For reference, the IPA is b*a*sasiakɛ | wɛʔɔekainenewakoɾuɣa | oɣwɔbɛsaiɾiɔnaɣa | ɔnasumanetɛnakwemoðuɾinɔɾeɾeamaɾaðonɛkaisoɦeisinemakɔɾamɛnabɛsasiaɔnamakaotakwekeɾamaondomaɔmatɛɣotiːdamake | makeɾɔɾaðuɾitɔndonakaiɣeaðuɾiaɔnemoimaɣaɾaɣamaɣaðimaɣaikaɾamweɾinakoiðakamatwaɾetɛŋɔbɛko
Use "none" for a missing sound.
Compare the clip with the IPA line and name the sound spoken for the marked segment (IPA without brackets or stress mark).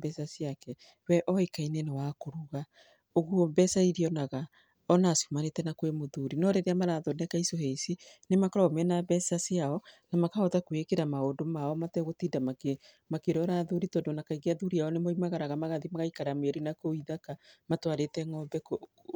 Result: ɛ